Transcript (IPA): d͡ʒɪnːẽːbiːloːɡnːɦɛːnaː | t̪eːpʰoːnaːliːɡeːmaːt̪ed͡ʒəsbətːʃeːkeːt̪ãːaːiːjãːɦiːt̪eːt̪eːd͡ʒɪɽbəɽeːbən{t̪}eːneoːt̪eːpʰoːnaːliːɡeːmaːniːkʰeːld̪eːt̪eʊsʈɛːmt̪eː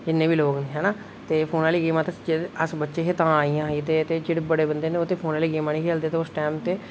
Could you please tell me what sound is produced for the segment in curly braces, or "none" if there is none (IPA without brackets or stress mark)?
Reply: d̪